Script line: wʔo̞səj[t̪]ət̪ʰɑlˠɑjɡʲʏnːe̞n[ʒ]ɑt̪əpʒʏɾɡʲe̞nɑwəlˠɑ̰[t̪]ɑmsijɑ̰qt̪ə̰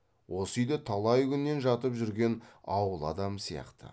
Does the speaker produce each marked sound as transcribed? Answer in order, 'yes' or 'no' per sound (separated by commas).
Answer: no, yes, no